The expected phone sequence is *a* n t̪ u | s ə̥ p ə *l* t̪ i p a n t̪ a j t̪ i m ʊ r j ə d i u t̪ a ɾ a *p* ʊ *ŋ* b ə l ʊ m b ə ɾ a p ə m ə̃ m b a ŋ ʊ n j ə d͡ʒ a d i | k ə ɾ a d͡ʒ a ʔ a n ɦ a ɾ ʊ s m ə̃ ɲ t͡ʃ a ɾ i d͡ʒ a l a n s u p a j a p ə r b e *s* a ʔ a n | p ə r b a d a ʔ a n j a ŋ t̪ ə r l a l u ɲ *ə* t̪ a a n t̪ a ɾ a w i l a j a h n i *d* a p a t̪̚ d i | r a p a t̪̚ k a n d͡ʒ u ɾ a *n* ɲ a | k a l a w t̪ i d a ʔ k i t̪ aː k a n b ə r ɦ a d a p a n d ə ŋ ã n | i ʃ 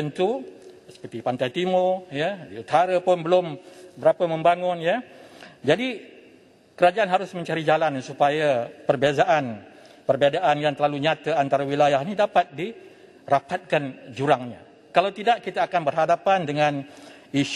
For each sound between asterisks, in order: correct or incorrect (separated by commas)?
incorrect, incorrect, correct, incorrect, incorrect, incorrect, correct, incorrect